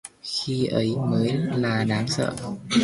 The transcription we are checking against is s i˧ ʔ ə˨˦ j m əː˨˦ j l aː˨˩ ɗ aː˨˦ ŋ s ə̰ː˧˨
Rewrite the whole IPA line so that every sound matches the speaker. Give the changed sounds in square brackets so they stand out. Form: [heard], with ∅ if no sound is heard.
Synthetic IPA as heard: [x] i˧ ʔ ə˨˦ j m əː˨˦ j l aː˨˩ ɗ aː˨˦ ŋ s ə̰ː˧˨